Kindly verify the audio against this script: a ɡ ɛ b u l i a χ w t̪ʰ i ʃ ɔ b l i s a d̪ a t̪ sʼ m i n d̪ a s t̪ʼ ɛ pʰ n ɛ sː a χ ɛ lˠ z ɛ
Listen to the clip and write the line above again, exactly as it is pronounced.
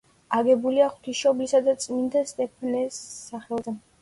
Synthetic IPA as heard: a ɡ ɛ b u l i a χ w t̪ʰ i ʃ ɔ b l i s a d̪ a t̪ sʼ m i n d̪ a s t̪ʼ ɛ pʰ n ɛ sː a χ ɛ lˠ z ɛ